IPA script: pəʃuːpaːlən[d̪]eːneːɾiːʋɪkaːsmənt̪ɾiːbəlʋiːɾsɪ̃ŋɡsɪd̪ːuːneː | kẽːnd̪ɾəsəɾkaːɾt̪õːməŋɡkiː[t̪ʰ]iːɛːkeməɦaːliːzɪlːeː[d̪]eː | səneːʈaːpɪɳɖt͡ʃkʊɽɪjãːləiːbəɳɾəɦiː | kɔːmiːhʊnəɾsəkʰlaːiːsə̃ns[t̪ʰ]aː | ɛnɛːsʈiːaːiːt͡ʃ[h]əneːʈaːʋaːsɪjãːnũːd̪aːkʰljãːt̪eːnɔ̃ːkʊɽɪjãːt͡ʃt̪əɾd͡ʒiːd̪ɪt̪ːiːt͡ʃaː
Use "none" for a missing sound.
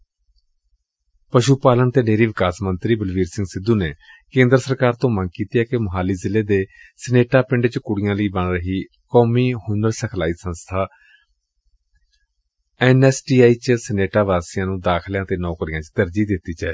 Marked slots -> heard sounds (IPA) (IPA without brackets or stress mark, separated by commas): t̪, t̪, d̪, t̪ʰ, s